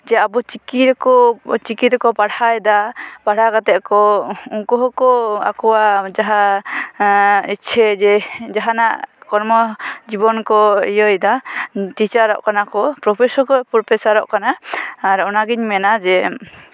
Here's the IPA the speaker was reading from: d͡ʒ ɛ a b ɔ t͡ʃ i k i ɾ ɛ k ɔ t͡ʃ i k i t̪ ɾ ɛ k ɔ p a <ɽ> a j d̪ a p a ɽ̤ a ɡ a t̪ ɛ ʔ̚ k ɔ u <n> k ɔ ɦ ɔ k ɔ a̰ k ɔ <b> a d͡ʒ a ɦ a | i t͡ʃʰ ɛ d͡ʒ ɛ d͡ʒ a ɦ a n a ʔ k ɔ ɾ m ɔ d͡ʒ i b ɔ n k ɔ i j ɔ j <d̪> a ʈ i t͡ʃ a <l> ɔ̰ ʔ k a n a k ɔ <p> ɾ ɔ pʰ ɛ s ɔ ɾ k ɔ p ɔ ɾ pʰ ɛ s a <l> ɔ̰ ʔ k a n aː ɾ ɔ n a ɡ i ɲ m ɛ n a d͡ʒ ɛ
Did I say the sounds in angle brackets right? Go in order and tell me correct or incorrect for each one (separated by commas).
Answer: correct, incorrect, incorrect, correct, incorrect, correct, incorrect